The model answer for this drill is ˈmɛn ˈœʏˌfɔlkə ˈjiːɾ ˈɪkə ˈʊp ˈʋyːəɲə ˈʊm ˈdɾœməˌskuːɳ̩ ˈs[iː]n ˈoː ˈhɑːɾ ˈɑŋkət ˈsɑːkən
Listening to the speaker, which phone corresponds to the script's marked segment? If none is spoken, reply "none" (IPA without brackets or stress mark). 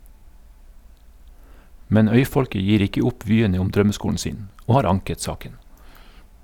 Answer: iː